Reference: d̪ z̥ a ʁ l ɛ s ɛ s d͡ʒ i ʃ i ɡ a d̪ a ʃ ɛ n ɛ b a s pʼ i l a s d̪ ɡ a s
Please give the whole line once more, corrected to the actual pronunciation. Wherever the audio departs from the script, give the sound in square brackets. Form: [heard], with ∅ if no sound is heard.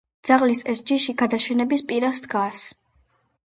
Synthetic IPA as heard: d̪ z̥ a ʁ l [i] s ɛ s d͡ʒ i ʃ i ɡ a d̪ a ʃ ɛ n ɛ b [i] s pʼ i [ɾ] a s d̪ ɡ a s